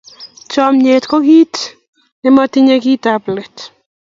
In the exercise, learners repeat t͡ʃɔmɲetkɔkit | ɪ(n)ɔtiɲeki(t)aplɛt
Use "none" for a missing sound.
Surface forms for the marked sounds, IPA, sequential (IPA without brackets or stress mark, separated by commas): m, t